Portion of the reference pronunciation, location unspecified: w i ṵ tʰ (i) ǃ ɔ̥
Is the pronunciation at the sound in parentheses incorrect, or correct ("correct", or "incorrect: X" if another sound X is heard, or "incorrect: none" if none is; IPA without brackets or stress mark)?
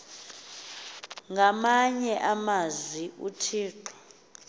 incorrect: iː